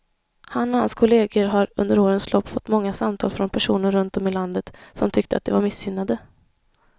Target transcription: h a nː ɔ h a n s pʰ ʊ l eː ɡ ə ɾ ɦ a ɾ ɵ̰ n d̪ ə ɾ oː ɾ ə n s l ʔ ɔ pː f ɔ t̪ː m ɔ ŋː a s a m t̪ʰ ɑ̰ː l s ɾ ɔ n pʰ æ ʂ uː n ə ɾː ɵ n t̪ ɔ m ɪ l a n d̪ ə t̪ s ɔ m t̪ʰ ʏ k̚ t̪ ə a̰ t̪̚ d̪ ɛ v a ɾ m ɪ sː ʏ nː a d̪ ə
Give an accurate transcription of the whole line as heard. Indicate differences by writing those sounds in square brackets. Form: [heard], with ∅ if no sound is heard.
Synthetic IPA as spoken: h a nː ɔ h a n s [kʰ] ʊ l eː ɡ ə ɾ ɦ a ɾ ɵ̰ n d̪ ə ɾ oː ɾ ə n s l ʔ ɔ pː f ɔ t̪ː m ɔ ŋː a s a m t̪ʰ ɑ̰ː l [f] ɾ ɔ n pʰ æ ʂ uː n ə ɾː ɵ n t̪ ɔ m ɪ l a n d̪ ə t̪ s ɔ m t̪ʰ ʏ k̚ t̪ ə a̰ t̪̚ d̪ ɛ v a ɾ m ɪ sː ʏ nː a d̪ ə